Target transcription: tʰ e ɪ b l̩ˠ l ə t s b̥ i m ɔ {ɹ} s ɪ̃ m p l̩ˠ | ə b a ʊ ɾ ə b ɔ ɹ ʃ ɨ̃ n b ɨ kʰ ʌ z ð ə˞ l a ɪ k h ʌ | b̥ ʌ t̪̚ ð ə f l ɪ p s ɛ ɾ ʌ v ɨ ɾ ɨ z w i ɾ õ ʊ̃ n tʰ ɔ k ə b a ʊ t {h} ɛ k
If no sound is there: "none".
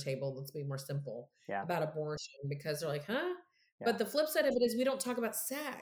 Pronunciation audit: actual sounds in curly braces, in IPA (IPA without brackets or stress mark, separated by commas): ɹ, s